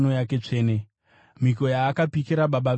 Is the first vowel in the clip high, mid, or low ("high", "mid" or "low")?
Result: mid